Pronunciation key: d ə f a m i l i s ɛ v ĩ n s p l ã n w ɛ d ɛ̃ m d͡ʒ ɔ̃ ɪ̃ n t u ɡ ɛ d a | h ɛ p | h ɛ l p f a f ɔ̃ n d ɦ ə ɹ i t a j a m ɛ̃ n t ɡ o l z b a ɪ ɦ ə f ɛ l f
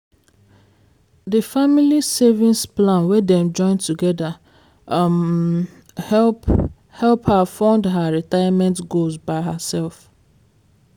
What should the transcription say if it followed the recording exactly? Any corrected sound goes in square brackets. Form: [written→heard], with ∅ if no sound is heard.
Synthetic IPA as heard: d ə f a m i l i s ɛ v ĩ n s p l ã n w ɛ d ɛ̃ m d͡ʒ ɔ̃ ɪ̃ n t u ɡ ɛ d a | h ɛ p | h ɛ l p [f→h] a f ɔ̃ n d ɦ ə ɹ i t a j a m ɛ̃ n t ɡ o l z b a ɪ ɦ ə [f→s] ɛ l f